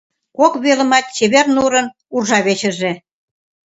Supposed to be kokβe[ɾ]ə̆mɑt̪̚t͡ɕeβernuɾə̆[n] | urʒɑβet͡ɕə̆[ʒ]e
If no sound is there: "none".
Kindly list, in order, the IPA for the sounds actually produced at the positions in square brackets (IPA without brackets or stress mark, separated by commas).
l, n, ʒ